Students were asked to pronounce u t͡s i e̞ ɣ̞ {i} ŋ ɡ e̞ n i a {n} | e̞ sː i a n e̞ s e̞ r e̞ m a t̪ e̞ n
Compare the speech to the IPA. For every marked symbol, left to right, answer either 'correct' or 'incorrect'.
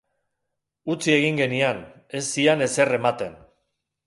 correct, correct

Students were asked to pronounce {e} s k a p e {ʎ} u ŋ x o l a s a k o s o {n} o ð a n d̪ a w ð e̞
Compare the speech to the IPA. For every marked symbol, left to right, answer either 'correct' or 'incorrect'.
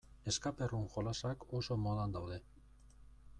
correct, incorrect: r, incorrect: m

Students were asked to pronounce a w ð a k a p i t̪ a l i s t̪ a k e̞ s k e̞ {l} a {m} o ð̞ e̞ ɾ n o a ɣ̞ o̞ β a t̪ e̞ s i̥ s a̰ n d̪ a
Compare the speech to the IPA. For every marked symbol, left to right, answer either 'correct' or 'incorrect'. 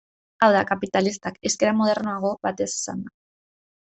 incorrect: ɾ, correct

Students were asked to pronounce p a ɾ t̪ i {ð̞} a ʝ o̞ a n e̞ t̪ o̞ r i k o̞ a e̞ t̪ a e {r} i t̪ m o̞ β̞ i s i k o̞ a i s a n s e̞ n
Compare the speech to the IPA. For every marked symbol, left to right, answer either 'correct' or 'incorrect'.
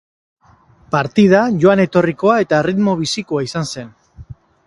correct, correct

